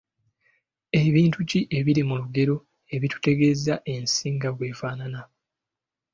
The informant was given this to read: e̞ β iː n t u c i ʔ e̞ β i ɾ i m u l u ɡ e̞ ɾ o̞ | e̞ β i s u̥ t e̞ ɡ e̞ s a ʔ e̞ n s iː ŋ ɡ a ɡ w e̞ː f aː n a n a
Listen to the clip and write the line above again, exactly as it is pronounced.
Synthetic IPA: e̞ β iː n t u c i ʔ e̞ β i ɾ i m u l u ɡ e̞ ɾ o̞ | e̞ β i t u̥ t e̞ ɡ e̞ z a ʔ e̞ n s iː ŋ ɡ a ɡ w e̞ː f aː n a n a